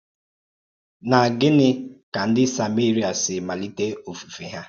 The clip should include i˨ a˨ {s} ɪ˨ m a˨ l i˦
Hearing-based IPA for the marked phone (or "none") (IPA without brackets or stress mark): s